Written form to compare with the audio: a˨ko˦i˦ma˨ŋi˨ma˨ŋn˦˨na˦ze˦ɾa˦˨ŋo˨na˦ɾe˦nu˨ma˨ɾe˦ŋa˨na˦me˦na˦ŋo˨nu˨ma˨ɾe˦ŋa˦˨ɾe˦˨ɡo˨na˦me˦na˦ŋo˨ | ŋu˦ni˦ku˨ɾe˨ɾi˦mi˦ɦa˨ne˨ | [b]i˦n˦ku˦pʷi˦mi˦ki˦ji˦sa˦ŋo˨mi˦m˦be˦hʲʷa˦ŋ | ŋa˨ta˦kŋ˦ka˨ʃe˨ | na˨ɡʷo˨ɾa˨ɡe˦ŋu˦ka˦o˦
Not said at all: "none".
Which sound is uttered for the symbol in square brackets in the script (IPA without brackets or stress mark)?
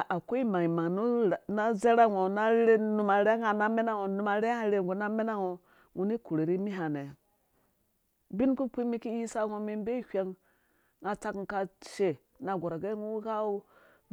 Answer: b